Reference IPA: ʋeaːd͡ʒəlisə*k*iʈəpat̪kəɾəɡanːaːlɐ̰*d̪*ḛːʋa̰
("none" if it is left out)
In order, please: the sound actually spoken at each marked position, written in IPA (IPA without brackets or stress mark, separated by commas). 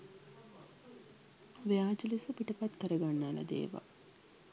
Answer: p, d̪